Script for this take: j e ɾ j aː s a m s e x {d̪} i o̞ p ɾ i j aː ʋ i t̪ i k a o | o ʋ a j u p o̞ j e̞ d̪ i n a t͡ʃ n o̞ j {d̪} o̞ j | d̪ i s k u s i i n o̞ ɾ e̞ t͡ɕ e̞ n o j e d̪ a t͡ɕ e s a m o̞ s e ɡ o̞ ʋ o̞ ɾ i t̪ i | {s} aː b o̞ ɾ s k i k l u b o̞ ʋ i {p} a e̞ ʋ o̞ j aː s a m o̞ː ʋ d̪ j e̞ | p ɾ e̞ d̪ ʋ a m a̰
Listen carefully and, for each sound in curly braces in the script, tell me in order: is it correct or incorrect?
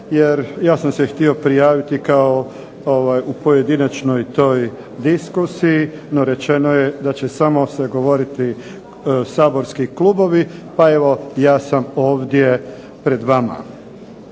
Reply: incorrect: t̪, incorrect: t̪, correct, correct

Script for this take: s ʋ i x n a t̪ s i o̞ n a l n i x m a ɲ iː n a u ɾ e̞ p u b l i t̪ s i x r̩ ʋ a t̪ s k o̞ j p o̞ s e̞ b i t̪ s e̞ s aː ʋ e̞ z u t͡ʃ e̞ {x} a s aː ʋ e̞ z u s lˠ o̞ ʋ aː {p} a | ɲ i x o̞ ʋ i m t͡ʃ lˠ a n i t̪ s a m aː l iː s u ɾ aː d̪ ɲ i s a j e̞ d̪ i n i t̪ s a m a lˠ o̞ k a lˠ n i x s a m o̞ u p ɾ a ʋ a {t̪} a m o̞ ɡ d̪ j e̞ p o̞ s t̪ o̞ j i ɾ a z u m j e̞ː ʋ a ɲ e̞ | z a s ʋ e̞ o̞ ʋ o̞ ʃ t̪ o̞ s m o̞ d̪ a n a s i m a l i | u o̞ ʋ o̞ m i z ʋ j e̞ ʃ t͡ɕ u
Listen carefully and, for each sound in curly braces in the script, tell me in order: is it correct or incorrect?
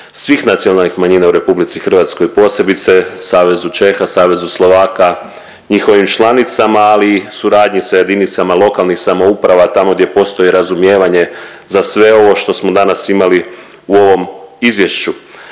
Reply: correct, incorrect: k, correct

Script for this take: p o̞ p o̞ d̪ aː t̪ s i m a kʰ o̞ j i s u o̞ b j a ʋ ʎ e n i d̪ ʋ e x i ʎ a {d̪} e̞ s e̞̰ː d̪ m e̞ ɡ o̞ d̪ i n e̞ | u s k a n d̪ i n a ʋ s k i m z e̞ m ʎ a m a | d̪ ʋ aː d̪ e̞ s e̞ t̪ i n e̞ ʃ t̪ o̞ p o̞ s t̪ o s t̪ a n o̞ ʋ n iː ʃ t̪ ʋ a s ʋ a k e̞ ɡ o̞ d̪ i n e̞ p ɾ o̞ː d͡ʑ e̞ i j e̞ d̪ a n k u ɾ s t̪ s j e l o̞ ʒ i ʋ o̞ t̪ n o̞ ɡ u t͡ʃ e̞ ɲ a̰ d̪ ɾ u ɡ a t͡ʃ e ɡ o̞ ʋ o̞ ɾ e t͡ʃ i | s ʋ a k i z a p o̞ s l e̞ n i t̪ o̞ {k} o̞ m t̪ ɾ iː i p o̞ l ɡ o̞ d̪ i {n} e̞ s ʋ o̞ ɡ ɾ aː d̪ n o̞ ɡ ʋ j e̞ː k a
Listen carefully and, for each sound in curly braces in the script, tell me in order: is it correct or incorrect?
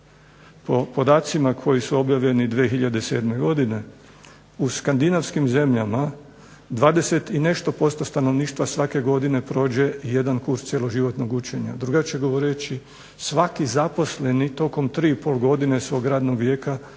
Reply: correct, correct, correct

